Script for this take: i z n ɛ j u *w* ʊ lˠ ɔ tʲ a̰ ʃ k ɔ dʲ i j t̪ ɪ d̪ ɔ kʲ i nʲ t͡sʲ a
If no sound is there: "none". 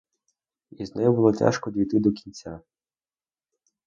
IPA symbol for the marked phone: b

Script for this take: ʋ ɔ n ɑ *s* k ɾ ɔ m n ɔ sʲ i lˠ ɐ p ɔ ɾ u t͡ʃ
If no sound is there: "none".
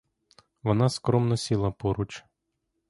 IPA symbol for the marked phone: s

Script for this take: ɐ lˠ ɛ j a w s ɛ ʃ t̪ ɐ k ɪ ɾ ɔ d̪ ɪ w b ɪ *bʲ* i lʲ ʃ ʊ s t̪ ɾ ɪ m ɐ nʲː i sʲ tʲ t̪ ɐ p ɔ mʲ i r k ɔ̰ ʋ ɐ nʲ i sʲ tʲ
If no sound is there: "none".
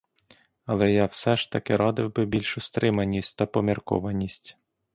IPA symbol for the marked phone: bʲ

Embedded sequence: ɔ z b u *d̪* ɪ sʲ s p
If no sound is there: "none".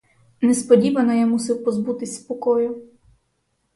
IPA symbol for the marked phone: t̪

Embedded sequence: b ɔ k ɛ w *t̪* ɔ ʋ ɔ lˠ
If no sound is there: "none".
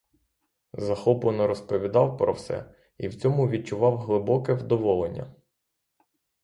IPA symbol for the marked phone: d̪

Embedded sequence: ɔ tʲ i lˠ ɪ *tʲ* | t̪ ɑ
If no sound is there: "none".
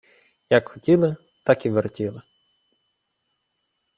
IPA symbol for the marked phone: none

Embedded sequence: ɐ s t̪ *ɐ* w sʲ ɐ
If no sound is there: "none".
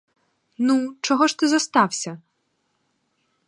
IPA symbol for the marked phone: ɑ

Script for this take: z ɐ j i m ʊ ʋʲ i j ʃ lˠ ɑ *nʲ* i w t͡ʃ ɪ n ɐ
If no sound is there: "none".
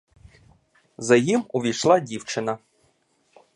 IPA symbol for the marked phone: dʲ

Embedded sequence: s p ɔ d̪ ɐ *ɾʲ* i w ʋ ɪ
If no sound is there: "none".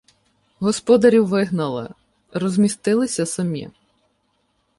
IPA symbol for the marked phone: ɾʲ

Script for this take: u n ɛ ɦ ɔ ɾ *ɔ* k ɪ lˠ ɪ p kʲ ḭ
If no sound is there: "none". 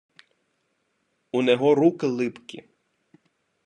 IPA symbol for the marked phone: u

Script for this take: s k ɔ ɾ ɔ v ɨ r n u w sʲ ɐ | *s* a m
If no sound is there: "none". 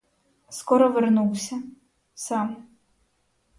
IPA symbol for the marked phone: s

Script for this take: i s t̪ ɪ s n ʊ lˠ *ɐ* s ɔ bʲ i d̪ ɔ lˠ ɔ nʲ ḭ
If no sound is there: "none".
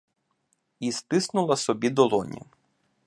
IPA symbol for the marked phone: ɐ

